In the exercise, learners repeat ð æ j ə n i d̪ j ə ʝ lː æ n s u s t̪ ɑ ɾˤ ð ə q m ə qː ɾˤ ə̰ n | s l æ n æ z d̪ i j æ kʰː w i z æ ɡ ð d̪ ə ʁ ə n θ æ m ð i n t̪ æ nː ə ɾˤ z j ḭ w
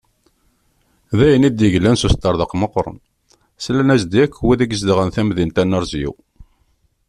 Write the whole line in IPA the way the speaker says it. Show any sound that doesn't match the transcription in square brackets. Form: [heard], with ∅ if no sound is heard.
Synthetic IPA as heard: ð æ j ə n i d̪ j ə ʝ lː æ n s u s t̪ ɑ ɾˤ ð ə q m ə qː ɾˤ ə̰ n | s l æ n æ z d̪ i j æ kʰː w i [ð] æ ɡ [z] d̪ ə ʁ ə n θ æ m ð i n t̪ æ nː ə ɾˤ z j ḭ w